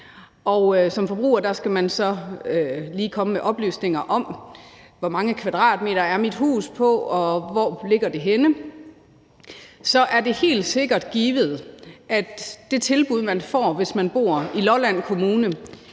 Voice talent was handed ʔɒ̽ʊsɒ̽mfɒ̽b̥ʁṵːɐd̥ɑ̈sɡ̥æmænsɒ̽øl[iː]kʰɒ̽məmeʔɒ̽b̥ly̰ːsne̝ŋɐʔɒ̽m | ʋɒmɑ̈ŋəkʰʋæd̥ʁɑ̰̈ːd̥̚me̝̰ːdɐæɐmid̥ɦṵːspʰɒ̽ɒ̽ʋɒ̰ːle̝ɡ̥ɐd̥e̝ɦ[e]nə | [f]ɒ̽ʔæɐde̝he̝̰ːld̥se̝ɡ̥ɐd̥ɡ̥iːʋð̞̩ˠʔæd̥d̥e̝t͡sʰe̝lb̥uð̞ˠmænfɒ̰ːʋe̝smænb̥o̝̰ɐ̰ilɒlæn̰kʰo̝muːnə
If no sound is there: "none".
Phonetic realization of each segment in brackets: iː, e, s

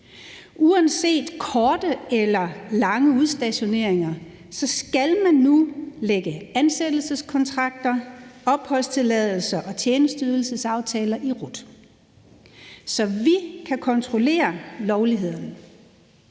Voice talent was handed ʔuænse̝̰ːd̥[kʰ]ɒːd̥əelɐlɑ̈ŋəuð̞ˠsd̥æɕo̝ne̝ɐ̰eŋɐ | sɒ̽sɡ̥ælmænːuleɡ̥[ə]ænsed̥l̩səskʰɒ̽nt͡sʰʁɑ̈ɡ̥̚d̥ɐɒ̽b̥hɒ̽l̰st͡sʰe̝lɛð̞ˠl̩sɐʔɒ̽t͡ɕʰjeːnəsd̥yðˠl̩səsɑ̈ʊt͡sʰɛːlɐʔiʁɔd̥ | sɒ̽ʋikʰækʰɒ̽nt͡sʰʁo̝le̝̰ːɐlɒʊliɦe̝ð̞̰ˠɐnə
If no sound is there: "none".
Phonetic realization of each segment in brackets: kʰ, ə

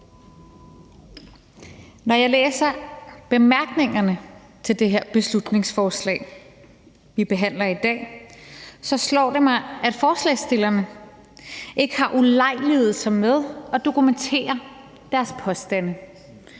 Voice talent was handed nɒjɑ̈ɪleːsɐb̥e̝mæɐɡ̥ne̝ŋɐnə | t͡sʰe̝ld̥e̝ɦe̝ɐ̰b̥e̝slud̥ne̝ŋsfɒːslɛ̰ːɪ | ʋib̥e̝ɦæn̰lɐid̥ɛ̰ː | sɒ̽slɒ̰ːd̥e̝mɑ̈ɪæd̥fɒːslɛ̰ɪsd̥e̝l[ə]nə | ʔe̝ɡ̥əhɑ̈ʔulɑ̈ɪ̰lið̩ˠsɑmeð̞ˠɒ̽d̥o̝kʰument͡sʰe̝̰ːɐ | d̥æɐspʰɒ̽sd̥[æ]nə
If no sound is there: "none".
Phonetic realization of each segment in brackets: ɐ, æ

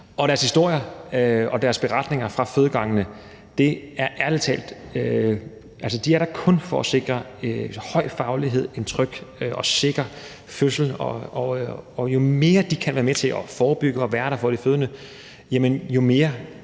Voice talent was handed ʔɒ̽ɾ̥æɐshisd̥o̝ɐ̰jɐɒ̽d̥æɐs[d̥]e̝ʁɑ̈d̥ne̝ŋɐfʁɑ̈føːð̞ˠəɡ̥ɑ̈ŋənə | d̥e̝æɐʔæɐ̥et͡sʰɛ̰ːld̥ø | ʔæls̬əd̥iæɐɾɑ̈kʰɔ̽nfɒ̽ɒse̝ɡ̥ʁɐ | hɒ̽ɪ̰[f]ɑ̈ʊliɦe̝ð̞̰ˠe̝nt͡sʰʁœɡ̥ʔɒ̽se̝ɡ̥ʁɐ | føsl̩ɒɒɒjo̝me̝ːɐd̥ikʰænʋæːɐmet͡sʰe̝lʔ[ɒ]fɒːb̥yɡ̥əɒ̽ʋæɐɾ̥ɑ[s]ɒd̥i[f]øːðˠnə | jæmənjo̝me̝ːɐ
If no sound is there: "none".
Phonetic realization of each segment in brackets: b̥, f, ɒ, f, f

